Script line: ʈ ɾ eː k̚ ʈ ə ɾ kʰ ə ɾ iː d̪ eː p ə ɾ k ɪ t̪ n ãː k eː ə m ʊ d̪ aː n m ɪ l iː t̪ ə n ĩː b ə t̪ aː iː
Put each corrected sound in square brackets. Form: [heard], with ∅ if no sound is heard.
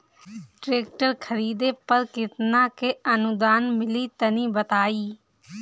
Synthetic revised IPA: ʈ ɾ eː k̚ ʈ ə ɾ kʰ ə ɾ iː d̪ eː p ə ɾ k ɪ t̪ n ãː k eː ə [n] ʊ d̪ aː n m ɪ l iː t̪ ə n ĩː b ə t̪ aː iː